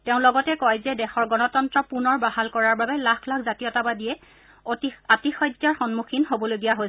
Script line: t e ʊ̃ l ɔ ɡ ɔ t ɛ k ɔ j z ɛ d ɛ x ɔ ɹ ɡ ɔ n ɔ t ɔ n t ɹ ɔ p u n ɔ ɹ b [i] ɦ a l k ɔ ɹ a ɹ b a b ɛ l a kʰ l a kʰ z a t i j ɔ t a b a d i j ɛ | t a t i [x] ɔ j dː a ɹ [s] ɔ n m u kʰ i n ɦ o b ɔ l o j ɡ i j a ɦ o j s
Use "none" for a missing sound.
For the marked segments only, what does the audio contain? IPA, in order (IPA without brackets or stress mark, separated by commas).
a, x, x